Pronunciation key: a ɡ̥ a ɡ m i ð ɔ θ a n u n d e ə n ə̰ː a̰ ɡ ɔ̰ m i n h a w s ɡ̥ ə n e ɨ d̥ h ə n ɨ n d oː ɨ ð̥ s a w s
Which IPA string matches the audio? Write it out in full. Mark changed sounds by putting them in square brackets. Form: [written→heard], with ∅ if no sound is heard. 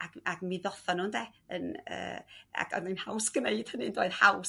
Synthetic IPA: a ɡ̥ a ɡ m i ð ɔ θ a n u n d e ə n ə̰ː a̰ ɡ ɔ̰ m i n h a w s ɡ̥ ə n e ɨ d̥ h ə n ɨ n d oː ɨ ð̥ [s→h] a w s